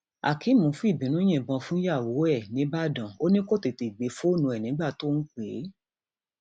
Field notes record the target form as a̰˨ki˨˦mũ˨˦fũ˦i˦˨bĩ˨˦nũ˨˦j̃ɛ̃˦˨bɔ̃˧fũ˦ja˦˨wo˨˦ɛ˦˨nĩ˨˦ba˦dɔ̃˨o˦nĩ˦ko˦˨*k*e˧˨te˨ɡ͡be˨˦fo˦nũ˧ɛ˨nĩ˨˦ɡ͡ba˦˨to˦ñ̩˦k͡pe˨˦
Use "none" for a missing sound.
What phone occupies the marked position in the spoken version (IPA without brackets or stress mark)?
t